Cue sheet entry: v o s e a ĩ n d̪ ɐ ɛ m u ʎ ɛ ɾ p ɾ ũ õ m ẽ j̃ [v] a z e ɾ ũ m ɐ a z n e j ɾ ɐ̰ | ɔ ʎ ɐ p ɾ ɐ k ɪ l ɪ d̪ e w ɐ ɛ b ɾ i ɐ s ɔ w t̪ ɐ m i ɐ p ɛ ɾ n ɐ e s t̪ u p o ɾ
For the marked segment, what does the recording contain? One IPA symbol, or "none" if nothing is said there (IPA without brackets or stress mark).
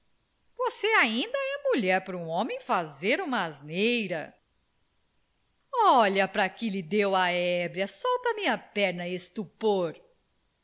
f